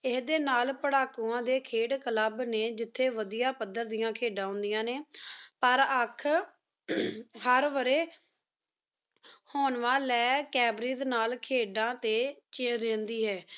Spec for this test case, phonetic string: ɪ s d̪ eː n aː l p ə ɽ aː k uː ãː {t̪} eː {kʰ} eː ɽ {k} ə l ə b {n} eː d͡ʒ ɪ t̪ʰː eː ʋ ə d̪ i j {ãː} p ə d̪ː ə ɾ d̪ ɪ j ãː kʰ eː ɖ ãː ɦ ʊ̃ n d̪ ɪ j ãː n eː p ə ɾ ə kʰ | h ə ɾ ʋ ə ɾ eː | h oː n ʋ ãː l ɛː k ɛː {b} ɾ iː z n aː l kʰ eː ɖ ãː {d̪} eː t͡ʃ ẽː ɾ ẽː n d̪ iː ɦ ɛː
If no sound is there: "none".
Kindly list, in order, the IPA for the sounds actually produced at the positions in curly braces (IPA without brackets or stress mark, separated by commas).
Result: d̪, kʰ, k, n, aː, b, t̪